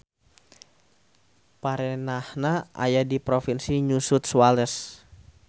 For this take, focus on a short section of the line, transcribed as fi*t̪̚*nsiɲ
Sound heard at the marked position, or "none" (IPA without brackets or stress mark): none